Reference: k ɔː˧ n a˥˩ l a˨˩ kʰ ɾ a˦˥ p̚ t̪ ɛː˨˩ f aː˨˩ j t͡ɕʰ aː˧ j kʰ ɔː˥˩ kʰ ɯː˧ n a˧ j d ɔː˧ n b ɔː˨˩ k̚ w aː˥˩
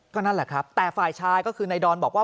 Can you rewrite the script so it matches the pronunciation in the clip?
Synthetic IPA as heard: k ɔː˥˩ n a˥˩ l ɛ˨˩ kʰ ɾ a˦˥ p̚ t̪ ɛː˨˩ f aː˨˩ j t͡ɕʰ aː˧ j k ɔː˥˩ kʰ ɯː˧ n a˧ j d ɔː˧ n b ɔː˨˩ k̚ w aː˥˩